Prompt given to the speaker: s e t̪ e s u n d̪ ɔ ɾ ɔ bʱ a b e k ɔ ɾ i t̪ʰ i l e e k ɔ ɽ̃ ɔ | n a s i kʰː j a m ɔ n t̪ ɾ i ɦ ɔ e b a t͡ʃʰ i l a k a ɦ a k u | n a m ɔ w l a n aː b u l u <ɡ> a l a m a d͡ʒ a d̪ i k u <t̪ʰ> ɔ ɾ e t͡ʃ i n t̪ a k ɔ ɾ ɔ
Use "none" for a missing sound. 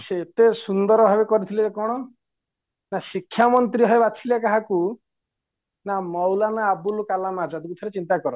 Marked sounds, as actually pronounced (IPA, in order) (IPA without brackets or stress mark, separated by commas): k, t̪ʰ